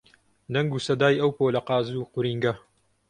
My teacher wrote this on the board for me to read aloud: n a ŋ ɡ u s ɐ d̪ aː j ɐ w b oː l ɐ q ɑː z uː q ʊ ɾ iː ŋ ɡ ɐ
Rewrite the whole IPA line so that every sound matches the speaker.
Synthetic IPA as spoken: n ɐ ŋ ɡ u s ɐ d̪ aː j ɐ w p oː l ɐ q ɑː z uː q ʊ ɾ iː ŋ ɡ ɐ